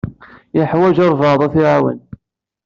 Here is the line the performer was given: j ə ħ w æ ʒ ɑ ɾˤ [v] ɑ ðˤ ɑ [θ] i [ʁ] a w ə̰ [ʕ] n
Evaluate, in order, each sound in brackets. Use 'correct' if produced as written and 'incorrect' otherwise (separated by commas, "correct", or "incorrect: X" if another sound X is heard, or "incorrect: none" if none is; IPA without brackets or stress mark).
correct, correct, incorrect: ʕ, incorrect: none